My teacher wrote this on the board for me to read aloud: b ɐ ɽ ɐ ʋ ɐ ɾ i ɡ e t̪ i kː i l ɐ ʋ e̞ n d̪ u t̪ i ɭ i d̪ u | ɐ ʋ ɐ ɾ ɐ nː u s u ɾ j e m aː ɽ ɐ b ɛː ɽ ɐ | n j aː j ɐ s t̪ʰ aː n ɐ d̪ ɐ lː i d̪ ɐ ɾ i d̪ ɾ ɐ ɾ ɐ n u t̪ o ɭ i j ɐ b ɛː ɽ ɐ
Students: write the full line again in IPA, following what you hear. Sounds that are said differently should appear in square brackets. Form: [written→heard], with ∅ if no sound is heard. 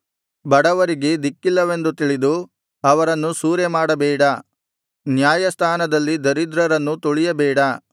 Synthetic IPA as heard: b ɐ ɽ ɐ ʋ ɐ ɾ i ɡ e [t̪→d̪] i kː i [l→lː] ɐ ʋ e̞ n d̪ u t̪ i ɭ i d̪ u | ɐ ʋ ɐ ɾ ɐ nː u s [u→uː] ɾ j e m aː ɽ ɐ b ɛː ɽ ɐ | n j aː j ɐ s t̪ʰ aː n ɐ d̪ ɐ lː i d̪ ɐ ɾ i d̪ ɾ ɐ ɾ ɐ [n→nː] u t̪ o ɭ i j ɐ b ɛː ɽ ɐ

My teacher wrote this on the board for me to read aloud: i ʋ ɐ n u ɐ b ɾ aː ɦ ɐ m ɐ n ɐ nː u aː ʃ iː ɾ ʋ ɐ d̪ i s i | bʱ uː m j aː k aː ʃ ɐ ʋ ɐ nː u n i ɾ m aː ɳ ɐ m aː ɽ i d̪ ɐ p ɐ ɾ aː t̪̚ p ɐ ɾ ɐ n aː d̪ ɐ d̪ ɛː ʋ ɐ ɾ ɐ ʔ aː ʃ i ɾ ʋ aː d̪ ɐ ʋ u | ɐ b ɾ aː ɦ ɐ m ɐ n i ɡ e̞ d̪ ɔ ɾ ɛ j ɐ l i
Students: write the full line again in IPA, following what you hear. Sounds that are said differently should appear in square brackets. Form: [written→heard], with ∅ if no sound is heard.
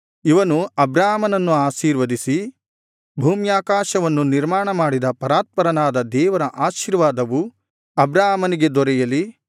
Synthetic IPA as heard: i ʋ ɐ n u ɐ b ɾ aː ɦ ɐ m ɐ n ɐ nː u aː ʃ iː ɾ ʋ ɐ d̪ i s i | bʱ uː m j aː k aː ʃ ɐ ʋ ɐ nː u n i ɾ m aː ɳ ɐ m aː ɽ i d̪ ɐ p ɐ ɾ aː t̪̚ p ɐ ɾ ɐ n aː d̪ ɐ d̪ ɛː ʋ ɐ ɾ ɐ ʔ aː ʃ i ɾ ʋ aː d̪ ɐ ʋ u | ɐ b ɾ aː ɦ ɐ m ɐ n i ɡ e̞ d̪ ɔ ɾ ɛ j ɐ l i

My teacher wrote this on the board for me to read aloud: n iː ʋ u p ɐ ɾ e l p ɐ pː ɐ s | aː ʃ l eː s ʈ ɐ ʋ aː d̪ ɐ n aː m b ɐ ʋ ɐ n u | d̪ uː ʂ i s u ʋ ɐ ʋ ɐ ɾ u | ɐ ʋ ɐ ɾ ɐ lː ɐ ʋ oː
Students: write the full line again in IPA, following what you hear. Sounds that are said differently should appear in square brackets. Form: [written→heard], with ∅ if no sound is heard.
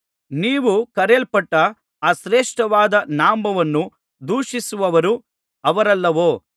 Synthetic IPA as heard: n iː ʋ u [p→k] ɐ ɾ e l p ɐ [pː→ʈː] ɐ [s→∅] | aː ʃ [l→ɾ] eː [s→ʂ] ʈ ɐ ʋ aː d̪ ɐ n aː m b ɐ ʋ ɐ [n→nː] u | d̪ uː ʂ i s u ʋ ɐ ʋ ɐ ɾ u | ɐ ʋ ɐ ɾ ɐ lː ɐ ʋ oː

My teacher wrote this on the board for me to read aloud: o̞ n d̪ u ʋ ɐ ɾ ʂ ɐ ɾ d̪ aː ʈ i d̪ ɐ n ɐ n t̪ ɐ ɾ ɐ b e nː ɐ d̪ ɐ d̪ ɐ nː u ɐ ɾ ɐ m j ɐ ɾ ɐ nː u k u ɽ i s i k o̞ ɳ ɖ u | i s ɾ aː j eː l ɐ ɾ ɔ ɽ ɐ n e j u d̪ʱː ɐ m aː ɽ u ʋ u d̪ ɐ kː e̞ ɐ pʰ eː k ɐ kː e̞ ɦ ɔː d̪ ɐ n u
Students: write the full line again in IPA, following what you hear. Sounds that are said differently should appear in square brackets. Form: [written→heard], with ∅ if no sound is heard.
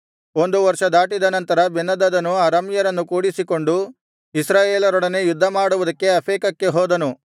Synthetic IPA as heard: o̞ n d̪ u ʋ ɐ ɾ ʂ ɐ [ɾ→∅] d̪ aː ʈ i d̪ ɐ n ɐ n t̪ ɐ ɾ ɐ b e nː ɐ d̪ ɐ d̪ ɐ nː u ɐ ɾ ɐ m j ɐ ɾ ɐ nː u k [u→uː] ɽ i s i k o̞ ɳ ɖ u | i s ɾ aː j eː l ɐ ɾ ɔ ɽ ɐ n e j u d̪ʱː ɐ m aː ɽ u ʋ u d̪ ɐ kː e̞ ɐ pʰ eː k ɐ kː e̞ ɦ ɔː d̪ ɐ n u

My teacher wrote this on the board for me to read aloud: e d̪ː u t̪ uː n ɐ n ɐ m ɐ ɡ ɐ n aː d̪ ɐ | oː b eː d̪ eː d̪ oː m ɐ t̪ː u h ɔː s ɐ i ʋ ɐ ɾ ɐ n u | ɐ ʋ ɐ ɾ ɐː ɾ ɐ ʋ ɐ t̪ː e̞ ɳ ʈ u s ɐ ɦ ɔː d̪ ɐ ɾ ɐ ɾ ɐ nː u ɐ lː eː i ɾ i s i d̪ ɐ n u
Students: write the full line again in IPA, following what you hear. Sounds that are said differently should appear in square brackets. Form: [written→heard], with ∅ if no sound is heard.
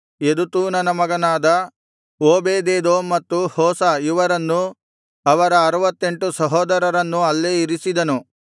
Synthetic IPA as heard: e [d̪ː→d̪] u t̪ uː n ɐ n ɐ m ɐ ɡ ɐ n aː d̪ ɐ | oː b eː d̪ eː d̪ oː m ɐ t̪ː u h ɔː s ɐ i ʋ ɐ ɾ ɐ [n→nː] u | ɐ ʋ ɐ ɾ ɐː ɾ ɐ ʋ ɐ t̪ː e̞ ɳ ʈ u s ɐ ɦ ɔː d̪ ɐ ɾ ɐ ɾ ɐ nː u ɐ lː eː i ɾ i s i d̪ ɐ n u

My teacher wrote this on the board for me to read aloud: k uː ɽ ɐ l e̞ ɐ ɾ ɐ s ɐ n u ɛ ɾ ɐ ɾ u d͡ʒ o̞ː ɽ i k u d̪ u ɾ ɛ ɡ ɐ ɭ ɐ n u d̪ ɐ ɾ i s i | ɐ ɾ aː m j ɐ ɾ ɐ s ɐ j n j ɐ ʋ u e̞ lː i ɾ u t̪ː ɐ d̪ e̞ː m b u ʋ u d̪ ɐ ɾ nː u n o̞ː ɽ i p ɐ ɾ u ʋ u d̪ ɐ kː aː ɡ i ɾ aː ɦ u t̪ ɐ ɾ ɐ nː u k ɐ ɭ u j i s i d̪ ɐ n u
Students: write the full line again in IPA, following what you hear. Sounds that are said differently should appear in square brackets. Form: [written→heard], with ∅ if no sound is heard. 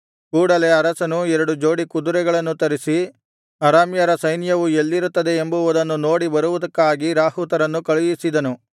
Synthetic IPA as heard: k uː ɽ ɐ l e̞ ɐ ɾ ɐ s ɐ n u ɛ ɾ ɐ [ɾ→ɽ] u d͡ʒ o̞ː ɽ i k u d̪ u ɾ ɛ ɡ ɐ ɭ ɐ [n→nː] u [d̪→t̪] ɐ ɾ i s i | ɐ ɾ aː m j ɐ ɾ ɐ s ɐ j n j ɐ ʋ u e̞ lː i ɾ u t̪ː ɐ d̪ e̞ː m b u ʋ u d̪ ɐ [ɾ→∅] nː u n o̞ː ɽ i [p→b] ɐ ɾ u ʋ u d̪ ɐ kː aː ɡ i ɾ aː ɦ u t̪ ɐ ɾ ɐ nː u k ɐ ɭ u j i s i d̪ ɐ n u

